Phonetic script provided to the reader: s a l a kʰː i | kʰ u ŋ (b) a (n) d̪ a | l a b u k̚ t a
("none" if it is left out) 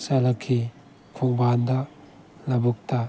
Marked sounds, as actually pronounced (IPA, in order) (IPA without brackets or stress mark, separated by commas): b, n